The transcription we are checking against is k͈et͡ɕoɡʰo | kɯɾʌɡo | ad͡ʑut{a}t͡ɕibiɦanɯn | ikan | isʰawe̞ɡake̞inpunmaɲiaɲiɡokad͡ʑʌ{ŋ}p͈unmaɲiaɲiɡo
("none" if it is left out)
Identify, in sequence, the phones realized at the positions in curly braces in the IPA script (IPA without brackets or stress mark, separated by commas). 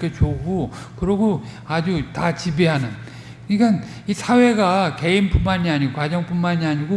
a, ŋ